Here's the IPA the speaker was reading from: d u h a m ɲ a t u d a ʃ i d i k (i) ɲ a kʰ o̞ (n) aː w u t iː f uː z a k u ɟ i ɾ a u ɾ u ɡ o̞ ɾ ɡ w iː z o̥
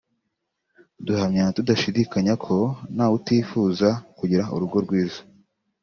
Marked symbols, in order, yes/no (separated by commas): no, yes